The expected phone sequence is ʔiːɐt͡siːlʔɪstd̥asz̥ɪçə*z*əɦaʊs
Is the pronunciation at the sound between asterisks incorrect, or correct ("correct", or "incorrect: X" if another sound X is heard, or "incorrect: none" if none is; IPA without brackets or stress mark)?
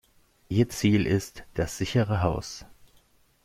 incorrect: ʁ